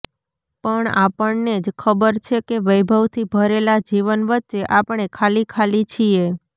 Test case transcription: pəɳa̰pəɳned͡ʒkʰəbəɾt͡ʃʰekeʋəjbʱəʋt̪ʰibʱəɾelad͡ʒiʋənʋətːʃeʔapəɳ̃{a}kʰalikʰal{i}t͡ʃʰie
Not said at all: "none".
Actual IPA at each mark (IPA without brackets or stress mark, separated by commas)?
e, i